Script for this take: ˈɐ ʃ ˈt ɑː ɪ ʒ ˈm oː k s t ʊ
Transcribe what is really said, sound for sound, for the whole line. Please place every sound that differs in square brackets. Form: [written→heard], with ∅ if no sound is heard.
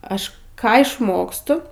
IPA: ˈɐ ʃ [ˈt→ˈk] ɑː ɪ [ʒ→ʃ] ˈm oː k s t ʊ